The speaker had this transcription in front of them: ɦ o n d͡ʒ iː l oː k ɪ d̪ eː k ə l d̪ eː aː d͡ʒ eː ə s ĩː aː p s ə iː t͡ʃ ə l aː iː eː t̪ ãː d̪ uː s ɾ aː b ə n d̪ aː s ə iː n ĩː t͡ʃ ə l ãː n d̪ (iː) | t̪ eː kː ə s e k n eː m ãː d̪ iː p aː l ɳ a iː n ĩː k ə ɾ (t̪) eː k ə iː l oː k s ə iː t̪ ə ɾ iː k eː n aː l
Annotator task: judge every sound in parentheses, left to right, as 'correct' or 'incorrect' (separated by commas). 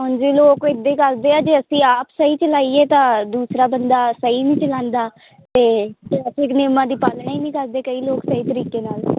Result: incorrect, incorrect